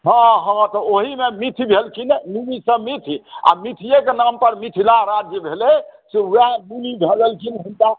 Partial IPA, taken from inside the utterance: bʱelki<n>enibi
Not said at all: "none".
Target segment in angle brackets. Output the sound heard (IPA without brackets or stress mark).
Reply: n